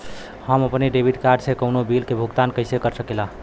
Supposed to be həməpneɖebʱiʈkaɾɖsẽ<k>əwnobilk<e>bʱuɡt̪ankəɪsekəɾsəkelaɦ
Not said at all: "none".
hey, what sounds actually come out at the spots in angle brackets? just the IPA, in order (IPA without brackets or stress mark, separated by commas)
k, e